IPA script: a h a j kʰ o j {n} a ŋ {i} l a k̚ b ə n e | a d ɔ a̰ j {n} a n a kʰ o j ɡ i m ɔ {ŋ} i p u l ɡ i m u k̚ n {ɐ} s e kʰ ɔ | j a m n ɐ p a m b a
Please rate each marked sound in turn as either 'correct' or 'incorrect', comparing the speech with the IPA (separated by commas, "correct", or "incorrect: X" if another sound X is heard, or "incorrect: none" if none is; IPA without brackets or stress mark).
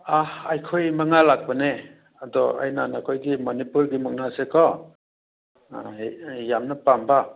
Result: incorrect: m, incorrect: a, correct, incorrect: n, incorrect: a